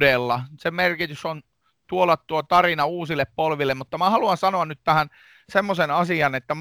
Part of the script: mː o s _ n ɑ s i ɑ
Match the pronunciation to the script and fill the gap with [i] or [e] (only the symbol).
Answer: e